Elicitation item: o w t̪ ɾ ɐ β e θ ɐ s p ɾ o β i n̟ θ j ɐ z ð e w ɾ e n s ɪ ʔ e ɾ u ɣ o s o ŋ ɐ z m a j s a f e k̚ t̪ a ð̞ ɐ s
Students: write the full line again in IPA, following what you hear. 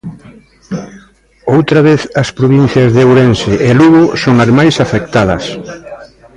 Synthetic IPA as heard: o w t̪ ɾ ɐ β e θ ɐ s p ɾ o β i n̟ θ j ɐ z ð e w ɾ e n s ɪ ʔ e l u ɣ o s o ŋ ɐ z m a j s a f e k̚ t̪ a ð̞ ɐ s